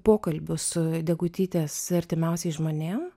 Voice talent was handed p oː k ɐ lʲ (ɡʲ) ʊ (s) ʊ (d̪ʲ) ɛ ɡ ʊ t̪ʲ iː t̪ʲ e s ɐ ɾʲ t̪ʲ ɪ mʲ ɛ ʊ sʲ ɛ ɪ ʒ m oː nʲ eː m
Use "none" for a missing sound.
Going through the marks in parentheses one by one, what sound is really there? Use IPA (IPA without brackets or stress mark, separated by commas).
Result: bʲ, s, d̪ʲ